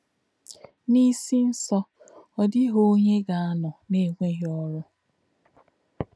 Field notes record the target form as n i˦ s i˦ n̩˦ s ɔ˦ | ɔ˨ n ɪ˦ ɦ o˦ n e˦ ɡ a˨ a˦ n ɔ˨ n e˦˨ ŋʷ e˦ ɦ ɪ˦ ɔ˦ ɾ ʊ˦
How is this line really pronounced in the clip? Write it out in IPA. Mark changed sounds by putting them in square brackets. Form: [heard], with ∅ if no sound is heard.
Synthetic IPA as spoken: n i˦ s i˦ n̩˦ s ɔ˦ | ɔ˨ [d] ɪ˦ ɦ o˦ [ɲ] e˦ ɡ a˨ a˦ n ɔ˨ n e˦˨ ŋʷ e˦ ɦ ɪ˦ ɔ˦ ɾ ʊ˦